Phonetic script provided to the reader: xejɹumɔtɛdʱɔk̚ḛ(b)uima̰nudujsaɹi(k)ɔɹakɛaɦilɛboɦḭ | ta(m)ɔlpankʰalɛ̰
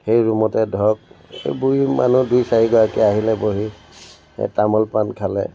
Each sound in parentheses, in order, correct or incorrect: correct, incorrect: ɡ, correct

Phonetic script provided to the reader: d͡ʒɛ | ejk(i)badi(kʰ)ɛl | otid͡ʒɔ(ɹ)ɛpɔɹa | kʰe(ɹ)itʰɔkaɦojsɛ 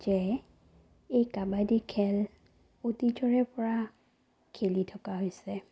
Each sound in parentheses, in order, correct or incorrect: incorrect: a, correct, correct, incorrect: l

